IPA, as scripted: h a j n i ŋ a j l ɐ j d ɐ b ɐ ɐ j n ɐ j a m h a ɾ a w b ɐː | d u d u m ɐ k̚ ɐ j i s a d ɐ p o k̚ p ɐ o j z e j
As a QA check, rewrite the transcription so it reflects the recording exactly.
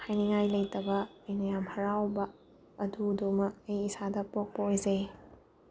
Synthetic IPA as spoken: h a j n i ŋ a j l ɐ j t ɐ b ɐ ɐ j n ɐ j a m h ɐ ɾ a w b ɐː | d u d u m ɐ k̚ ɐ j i s a d ɐ p o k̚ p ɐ o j z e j